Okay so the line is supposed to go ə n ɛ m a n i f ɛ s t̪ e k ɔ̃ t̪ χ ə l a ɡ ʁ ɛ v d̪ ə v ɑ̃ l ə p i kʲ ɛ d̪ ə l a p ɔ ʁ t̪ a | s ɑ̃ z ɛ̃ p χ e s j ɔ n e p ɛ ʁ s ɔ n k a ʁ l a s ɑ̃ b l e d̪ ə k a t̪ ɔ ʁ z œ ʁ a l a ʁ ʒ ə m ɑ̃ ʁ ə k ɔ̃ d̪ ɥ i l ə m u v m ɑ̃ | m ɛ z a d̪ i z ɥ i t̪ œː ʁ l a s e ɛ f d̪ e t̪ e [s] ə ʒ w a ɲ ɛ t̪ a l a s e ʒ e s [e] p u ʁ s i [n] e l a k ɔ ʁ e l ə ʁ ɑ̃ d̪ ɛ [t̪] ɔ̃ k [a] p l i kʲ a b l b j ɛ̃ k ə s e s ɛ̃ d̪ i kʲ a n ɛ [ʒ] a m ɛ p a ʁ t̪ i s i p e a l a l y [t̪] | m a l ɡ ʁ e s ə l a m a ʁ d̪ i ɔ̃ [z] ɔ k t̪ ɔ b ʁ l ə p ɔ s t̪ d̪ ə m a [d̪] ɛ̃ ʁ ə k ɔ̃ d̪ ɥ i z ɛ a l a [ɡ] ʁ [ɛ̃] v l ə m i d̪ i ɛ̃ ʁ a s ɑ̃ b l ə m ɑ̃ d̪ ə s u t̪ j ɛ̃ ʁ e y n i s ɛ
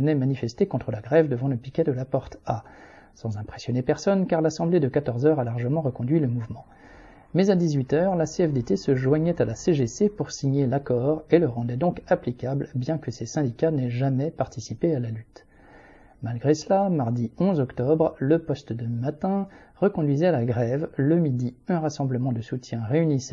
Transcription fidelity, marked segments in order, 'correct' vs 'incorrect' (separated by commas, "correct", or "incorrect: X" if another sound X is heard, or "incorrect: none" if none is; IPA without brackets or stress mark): correct, correct, incorrect: ɲ, incorrect: d̪, correct, correct, correct, correct, incorrect: t̪, correct, incorrect: ɛ